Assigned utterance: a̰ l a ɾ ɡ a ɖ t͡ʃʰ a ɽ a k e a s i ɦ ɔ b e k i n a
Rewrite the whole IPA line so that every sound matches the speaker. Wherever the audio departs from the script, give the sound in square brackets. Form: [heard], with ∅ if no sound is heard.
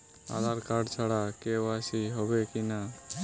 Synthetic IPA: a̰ l a ɾ [k] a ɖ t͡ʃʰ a ɽ a k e a s i ɦ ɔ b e k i n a